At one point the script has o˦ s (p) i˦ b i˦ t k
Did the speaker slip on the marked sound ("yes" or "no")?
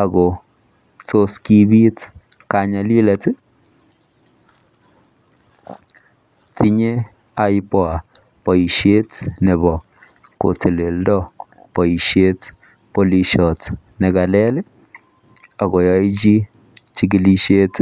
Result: yes